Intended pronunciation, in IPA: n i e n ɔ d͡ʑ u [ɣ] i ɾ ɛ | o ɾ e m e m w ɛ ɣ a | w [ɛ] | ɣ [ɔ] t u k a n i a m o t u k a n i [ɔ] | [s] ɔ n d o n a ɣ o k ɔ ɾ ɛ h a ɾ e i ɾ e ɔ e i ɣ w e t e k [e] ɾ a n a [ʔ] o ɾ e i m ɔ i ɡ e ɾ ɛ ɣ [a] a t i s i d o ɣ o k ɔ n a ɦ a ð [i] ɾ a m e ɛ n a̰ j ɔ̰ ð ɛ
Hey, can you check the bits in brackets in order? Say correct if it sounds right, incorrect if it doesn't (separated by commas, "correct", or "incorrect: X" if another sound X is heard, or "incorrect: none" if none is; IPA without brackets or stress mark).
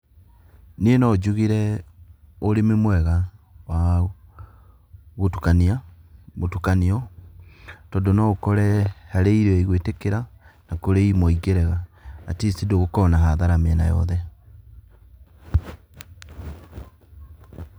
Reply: correct, incorrect: a, incorrect: o, correct, incorrect: t, correct, incorrect: k, correct, incorrect: a